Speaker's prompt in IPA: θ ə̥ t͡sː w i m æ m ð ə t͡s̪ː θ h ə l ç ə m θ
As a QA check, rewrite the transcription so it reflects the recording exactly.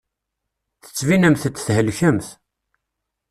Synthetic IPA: θ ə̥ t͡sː v i n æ m θ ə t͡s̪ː θ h ə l ç ə m θ